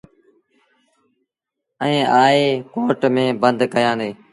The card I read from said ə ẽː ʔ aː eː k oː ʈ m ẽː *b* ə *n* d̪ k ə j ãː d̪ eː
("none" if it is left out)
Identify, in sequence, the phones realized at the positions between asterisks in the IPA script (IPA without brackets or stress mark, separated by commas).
b, n